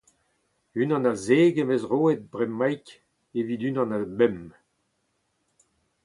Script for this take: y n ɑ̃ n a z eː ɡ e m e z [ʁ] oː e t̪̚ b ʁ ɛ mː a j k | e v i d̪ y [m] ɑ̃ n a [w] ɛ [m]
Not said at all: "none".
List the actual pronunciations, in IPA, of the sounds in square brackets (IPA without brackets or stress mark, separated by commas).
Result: ʁ, n, b, m